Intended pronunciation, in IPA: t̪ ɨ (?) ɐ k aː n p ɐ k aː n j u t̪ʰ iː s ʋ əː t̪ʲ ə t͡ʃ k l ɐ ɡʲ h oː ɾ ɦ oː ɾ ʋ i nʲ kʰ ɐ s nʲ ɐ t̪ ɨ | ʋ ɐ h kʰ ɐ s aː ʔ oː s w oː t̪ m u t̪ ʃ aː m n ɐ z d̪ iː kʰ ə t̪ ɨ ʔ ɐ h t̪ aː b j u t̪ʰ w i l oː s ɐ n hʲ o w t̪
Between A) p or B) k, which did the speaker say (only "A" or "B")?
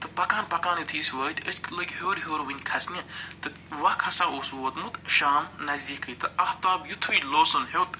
A